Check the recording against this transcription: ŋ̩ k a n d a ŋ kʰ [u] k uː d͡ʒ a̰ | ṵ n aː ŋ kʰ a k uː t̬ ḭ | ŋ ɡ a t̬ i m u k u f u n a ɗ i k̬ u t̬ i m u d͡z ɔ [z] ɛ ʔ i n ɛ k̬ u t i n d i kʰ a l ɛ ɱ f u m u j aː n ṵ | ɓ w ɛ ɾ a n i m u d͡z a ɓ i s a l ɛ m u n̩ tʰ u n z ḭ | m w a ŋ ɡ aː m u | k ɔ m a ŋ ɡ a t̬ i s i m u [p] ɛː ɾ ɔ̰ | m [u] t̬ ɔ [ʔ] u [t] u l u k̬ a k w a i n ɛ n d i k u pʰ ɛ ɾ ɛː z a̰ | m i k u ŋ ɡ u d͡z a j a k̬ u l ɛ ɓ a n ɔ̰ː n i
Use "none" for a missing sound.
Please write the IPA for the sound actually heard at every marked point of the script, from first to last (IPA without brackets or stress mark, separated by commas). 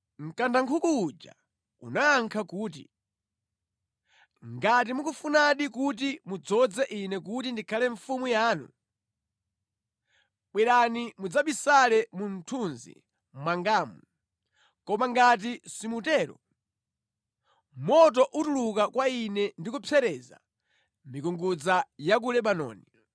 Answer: u, d͡z, t, ɔ, ʔ, t